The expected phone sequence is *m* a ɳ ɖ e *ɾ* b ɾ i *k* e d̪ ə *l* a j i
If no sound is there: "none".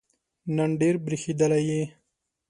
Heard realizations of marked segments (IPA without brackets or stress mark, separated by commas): n, ɾ, x, l